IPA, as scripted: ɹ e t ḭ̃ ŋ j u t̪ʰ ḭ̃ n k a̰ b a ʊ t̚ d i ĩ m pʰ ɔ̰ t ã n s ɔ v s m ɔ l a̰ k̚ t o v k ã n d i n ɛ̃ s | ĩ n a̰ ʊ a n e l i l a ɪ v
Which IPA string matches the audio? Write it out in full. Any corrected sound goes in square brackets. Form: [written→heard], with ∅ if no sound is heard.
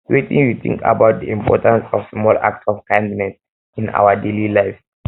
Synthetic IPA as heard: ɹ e t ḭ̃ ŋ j u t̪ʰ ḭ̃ [n→ŋ] k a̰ b a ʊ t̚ d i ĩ m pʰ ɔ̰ t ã n s ɔ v s m ɔ l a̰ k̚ t [o→ɔ] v k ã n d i n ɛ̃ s | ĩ n a̰ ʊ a [n→d] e l i l a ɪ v